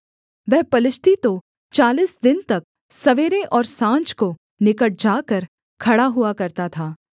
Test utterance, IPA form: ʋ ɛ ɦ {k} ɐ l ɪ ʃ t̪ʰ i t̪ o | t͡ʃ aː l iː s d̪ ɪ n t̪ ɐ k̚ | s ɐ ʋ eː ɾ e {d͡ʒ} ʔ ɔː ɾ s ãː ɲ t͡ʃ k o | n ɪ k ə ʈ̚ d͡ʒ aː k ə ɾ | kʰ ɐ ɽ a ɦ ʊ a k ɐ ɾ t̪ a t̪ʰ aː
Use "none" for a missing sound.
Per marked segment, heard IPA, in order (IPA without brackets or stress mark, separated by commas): p, none